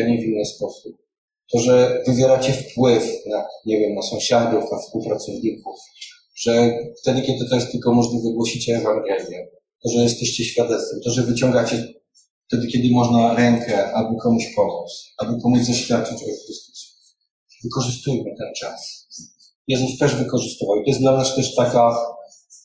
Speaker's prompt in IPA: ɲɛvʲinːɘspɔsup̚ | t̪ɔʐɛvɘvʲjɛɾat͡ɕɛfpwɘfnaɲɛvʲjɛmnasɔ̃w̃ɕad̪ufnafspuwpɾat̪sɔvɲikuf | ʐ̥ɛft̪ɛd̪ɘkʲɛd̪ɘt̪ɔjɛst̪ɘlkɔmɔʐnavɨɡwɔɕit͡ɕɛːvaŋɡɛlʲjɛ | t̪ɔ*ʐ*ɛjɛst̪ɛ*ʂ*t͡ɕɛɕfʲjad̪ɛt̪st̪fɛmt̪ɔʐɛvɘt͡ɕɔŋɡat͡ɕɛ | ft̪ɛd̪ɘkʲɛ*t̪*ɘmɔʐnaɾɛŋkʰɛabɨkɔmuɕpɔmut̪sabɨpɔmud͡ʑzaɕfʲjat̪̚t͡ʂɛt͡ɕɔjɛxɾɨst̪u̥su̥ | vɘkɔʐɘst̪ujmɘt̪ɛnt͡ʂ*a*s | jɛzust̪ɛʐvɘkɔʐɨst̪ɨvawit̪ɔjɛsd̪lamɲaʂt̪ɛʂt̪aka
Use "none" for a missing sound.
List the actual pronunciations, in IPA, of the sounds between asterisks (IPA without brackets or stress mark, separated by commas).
ʐ, ɕ, d̪, a